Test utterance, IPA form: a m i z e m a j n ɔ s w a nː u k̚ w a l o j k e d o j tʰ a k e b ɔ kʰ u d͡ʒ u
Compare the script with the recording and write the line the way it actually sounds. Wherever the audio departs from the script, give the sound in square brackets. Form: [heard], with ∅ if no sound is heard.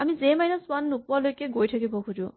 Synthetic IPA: a m i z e m a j n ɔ s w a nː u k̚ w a l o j k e [ɡ] o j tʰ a k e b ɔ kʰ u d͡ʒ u